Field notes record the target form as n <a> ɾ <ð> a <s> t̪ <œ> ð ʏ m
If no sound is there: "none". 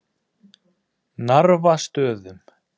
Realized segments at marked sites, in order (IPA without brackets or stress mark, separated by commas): a, v, s, œː